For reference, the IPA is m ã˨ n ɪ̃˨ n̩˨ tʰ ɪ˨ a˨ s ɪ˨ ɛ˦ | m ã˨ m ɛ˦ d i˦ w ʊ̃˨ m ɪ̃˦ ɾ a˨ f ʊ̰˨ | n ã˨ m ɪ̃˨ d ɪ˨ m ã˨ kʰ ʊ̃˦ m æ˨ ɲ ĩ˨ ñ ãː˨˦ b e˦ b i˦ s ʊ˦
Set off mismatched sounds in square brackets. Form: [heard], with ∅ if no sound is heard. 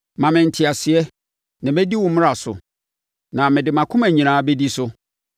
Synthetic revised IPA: m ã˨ [m] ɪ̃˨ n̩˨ tʰ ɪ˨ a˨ s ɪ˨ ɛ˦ | [n] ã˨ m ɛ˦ d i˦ w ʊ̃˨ m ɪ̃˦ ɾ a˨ [s] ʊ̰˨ | n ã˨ m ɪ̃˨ d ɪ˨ m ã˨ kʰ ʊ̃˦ m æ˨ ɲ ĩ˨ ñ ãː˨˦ b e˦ [d] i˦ s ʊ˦

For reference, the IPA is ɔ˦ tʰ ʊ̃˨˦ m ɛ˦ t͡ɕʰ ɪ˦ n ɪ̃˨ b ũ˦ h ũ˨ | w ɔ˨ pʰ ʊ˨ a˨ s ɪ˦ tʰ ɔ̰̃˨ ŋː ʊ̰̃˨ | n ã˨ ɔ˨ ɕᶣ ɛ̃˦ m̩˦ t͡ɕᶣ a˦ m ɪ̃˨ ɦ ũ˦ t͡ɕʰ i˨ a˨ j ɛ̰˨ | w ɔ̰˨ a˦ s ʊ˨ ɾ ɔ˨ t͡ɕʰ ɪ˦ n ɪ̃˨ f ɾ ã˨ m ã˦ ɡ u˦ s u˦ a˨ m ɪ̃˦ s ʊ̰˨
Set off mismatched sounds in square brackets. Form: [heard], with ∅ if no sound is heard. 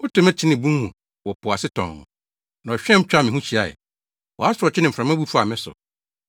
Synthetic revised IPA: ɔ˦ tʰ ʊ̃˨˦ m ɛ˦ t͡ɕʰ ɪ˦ n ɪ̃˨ b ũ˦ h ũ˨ | w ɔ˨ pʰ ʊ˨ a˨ s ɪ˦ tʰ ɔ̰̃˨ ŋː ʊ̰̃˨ | n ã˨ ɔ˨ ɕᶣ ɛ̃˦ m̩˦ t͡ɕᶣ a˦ m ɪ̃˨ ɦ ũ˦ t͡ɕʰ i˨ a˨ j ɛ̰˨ | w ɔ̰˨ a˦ s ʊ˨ ɾ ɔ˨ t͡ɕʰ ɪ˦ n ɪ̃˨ f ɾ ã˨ m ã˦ [b] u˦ [f] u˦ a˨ m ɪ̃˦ s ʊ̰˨

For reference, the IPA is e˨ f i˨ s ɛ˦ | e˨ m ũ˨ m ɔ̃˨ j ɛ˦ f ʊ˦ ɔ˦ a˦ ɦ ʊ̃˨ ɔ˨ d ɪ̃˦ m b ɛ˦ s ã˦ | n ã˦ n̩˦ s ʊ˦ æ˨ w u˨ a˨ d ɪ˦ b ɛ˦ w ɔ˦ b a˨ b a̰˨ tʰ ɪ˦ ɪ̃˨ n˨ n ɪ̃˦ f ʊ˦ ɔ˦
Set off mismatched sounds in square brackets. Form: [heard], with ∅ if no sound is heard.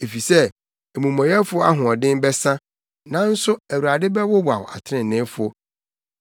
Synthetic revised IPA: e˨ f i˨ s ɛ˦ | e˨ m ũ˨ m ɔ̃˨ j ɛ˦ f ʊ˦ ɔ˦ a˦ ɦ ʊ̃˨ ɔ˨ d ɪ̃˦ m b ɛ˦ s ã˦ | n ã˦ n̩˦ s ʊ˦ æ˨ w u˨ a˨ d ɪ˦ b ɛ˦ w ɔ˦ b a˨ [w] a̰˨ tʰ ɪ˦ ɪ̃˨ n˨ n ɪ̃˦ f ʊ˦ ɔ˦

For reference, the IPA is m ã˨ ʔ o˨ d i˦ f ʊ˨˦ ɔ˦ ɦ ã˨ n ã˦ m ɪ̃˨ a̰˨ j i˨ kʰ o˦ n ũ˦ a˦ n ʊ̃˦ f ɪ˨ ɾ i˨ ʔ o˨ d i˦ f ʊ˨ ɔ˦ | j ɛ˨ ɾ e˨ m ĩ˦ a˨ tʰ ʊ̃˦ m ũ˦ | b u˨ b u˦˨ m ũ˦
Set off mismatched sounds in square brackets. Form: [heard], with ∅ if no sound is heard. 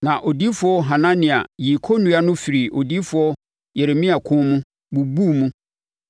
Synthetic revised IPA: [n] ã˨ ʔ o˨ d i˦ f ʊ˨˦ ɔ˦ ɦ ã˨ n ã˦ [n] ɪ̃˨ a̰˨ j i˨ kʰ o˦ n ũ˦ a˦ n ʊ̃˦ f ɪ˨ ɾ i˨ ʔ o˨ d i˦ f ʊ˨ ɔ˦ | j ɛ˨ ɾ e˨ m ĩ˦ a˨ [kʰ] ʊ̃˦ m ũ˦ | b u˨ b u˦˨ m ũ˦

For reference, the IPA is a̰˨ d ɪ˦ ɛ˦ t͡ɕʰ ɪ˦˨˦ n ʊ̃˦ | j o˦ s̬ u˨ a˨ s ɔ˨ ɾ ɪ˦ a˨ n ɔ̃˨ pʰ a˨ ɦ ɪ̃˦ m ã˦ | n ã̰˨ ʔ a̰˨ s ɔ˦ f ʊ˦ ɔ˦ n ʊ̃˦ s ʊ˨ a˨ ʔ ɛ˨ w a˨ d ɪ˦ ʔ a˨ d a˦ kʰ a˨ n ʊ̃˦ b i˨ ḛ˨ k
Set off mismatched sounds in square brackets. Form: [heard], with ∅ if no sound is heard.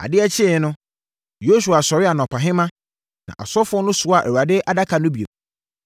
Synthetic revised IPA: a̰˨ d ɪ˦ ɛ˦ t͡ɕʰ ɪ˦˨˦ n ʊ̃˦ | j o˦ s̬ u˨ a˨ s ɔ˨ ɾ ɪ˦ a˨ n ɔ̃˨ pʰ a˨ ɦ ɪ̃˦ m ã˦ | n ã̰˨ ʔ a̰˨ s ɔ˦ f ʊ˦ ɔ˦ n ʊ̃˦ s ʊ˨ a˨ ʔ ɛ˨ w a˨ d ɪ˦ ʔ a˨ d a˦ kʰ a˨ n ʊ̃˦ b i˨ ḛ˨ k

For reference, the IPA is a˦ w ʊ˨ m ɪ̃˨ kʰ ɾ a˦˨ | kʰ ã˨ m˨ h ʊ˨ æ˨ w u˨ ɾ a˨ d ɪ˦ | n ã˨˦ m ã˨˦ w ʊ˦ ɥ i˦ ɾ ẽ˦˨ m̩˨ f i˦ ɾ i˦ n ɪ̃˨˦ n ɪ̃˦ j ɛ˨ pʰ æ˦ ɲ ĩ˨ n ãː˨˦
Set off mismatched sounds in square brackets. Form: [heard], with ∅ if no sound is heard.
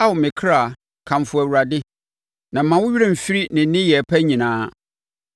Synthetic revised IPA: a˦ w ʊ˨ m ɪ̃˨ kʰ ɾ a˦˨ | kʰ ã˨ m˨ [f] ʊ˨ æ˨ w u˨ ɾ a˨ d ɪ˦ | n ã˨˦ m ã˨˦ w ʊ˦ ɥ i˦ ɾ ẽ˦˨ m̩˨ f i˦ ɾ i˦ n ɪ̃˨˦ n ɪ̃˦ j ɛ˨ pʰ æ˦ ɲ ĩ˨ n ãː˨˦

